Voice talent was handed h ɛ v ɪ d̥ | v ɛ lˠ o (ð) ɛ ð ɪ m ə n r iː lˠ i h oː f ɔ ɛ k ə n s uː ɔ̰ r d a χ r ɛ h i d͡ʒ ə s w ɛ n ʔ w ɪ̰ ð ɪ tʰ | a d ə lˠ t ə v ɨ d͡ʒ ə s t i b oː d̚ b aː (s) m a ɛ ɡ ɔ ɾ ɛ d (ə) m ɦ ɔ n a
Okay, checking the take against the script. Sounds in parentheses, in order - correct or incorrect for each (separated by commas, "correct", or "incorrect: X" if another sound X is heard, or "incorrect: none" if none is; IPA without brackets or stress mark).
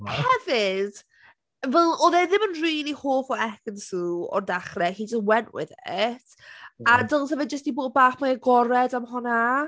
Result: correct, incorrect: χ, incorrect: a